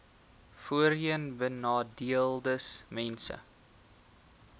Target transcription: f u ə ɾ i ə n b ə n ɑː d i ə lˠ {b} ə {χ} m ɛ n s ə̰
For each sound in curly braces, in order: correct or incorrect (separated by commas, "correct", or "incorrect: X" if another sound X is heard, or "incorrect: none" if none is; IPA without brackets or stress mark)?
incorrect: d, incorrect: s